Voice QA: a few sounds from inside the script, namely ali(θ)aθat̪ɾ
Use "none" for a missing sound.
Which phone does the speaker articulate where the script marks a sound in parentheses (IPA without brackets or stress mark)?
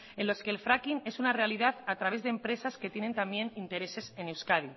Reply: ð